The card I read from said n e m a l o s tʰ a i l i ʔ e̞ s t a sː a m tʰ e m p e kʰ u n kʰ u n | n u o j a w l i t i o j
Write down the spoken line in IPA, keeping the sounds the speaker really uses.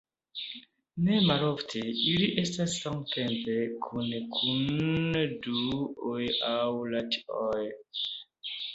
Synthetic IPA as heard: n e m a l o f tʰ e i l i ʔ e̞ s t a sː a m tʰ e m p e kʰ u n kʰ u n | d u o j a w l a t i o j